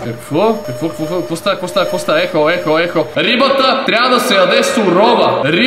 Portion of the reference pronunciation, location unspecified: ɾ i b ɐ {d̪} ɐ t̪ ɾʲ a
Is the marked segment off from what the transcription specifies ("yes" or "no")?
yes